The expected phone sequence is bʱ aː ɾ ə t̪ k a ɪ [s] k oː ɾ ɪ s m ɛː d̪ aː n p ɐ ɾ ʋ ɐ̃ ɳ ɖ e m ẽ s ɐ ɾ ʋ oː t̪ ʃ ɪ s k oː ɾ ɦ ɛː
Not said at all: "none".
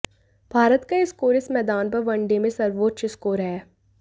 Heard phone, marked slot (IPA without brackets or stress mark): s